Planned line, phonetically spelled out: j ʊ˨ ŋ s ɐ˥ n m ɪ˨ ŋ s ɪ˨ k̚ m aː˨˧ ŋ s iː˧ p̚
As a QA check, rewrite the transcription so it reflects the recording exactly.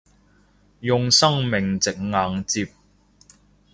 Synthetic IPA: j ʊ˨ ŋ s ɐ˥ ŋ m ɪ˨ ŋ t͡s ɪ˨ k̚ ŋ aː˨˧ ŋ t͡s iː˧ p̚

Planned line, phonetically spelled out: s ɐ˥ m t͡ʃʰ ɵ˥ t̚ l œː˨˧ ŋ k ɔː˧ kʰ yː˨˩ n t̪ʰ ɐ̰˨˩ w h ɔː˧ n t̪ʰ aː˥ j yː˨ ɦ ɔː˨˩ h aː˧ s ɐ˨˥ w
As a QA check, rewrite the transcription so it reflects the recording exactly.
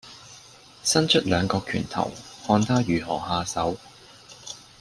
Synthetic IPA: s ɐ˥ n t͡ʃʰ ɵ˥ t̚ l œː˨˧ ŋ k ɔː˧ kʰ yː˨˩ n t̪ʰ ɐ̰˨˩ w h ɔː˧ n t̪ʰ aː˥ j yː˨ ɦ ɔː˨˩ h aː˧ s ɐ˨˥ w

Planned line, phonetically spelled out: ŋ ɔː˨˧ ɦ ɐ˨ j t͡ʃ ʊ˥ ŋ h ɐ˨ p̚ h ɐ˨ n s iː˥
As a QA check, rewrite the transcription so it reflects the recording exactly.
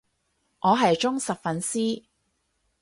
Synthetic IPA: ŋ ɔː˨˧ ɦ ɐ˨ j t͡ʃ ʊ˥ ŋ s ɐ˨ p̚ f ɐ˨ n s iː˥

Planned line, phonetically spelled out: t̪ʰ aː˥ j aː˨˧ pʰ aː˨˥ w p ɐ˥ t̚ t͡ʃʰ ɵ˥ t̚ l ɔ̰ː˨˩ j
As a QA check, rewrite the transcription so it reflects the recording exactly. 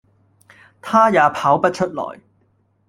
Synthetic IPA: t̪ʰ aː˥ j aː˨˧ pʰ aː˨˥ w p ɐ˥ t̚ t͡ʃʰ ɵ˥ t̚ l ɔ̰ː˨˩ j

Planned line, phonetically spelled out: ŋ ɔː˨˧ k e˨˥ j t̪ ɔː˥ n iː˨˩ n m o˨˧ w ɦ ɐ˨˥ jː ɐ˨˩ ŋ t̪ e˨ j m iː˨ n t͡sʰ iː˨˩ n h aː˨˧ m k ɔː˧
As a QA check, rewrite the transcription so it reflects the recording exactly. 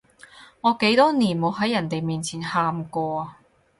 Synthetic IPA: ŋ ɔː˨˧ k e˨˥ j t̪ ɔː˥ n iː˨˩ n m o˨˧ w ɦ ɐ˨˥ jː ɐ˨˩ n t̪ e˨ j m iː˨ n t͡sʰ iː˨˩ n h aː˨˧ m k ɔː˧

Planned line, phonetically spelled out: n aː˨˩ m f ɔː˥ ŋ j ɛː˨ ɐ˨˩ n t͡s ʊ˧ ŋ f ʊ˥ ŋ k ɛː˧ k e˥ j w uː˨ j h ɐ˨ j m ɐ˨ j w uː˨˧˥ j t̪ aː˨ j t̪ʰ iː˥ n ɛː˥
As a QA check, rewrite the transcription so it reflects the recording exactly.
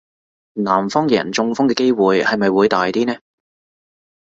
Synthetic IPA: n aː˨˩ m f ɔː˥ ŋ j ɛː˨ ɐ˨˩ n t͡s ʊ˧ ŋ f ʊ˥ ŋ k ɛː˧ k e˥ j w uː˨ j h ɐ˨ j m ɐ˨ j w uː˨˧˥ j t̪ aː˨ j t̪ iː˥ n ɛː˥

